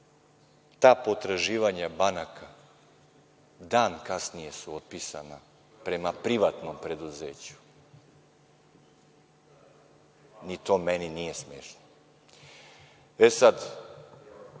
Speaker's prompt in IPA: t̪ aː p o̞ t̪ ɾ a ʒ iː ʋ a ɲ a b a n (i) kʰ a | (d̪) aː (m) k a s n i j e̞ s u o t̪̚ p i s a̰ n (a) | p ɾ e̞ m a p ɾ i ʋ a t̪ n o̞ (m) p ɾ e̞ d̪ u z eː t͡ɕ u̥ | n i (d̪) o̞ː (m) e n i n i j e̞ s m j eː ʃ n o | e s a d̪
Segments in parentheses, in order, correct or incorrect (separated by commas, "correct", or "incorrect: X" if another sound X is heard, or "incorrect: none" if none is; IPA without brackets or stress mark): incorrect: a, correct, incorrect: n, correct, correct, incorrect: t̪, correct